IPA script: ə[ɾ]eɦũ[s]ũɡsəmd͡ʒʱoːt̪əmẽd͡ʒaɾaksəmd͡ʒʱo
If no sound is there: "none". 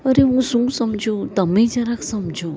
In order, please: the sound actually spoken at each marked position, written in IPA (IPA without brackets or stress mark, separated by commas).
ɾ, s